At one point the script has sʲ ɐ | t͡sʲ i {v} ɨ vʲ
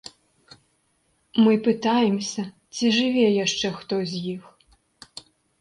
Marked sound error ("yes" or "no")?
yes